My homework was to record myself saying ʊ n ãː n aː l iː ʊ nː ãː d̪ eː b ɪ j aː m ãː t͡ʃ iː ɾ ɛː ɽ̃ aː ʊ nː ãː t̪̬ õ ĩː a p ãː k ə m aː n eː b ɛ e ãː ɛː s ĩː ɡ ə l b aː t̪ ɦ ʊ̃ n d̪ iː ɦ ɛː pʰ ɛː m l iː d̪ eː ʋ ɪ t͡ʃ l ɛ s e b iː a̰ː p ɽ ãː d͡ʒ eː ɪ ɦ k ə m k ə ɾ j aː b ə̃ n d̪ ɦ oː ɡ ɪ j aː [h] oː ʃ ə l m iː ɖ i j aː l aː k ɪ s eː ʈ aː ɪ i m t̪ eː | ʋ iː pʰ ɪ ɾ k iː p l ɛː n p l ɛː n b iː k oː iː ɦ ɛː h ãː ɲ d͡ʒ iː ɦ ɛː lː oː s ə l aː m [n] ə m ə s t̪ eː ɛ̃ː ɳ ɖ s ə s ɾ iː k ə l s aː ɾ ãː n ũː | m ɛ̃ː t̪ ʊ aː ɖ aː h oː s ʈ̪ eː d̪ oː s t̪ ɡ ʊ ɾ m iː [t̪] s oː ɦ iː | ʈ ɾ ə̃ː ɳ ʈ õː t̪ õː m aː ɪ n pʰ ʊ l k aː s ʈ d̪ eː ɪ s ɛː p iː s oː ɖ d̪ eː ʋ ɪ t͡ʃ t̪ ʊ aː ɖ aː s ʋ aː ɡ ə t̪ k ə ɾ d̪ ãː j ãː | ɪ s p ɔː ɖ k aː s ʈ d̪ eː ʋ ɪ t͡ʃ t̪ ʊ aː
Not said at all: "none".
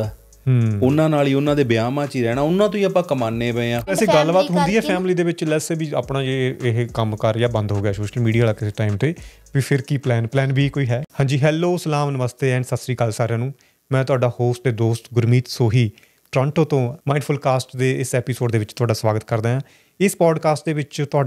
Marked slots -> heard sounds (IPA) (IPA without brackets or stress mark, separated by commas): s, n, t̪